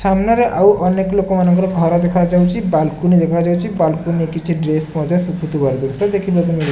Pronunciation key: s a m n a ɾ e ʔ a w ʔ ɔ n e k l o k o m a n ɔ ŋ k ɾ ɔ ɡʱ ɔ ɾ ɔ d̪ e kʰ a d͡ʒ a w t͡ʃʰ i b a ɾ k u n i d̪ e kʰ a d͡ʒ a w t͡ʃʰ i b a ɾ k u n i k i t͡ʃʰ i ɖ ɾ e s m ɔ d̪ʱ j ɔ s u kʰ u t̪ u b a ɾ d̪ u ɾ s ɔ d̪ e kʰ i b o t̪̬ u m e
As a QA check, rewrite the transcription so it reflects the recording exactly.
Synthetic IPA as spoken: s a m n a ɾ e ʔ a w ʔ ɔ n e k l o k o m a n ɔ ŋ k ɾ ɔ ɡʱ ɔ ɾ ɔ d̪ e kʰ a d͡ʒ a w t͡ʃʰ i b a l k u n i d̪ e kʰ a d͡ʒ a w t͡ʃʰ i b a l k u n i k i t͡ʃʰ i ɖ ɾ e s m ɔ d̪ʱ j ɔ s u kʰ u t̪ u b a ɾ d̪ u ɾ s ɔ d̪ e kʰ i b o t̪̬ u m i